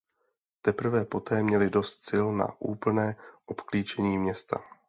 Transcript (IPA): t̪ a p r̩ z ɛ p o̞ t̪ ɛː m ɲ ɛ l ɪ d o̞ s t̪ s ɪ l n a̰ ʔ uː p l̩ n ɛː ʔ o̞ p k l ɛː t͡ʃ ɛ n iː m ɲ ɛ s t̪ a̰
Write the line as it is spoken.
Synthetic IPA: t̪ ɛ p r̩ v ɛ p o̞ t̪ ɛː m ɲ ɛ l ɪ d o̞ s t̪ s ɪ l n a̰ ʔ uː p l̩ n ɛː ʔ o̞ p k l iː t͡ʃ ɛ ɲ iː m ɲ ɛ s t̪ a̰